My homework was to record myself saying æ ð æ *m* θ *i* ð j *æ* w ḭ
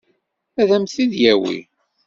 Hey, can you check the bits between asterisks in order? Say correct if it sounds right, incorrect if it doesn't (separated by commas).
correct, correct, correct